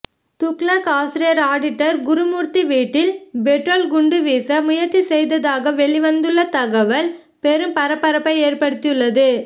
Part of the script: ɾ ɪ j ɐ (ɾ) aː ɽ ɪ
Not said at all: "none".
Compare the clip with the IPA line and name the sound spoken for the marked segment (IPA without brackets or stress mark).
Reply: ɾ